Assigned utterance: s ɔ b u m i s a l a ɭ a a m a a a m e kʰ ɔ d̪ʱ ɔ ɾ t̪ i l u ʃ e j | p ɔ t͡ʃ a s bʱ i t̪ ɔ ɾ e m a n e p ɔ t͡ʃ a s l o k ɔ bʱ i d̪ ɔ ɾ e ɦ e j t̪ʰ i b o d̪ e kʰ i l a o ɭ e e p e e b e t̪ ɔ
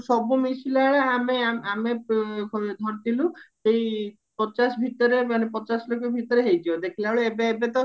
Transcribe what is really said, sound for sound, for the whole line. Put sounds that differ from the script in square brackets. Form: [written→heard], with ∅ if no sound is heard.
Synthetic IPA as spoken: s ɔ b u m i s [a→i] l a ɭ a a m [a→e] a a m e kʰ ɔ d̪ʱ ɔ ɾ t̪ i l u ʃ e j | p ɔ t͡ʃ a s bʱ i t̪ ɔ ɾ e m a n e p ɔ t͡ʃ a s l o k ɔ bʱ i [d̪→t̪] ɔ ɾ e ɦ e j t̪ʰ i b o d̪ e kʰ i l a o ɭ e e [p→b] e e b e t̪ ɔ